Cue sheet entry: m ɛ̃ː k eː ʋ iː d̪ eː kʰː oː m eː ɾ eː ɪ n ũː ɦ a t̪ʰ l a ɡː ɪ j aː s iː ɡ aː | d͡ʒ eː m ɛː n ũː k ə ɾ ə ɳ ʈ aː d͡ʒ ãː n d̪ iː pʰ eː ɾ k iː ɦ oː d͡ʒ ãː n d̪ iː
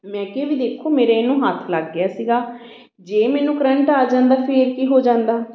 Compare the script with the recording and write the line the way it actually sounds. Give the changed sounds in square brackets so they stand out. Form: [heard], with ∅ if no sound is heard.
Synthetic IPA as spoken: m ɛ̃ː k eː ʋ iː d̪ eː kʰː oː m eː ɾ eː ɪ n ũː ɦ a t̪ʰ l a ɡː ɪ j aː s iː ɡ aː | d͡ʒ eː m ɛː n ũː k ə ɾ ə ɳ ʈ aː d͡ʒ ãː n d̪ [aː] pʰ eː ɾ k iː ɦ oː d͡ʒ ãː n d̪ [aː]